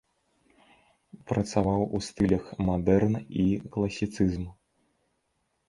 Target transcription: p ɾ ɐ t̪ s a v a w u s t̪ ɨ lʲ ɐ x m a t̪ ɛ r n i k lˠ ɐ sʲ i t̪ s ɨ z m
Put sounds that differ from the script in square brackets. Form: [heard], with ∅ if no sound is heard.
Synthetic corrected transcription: p ɾ ɐ t̪ s a v a w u s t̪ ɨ lʲ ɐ x m a [d̪] ɛ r n i k lˠ ɐ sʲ i t̪ s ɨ z m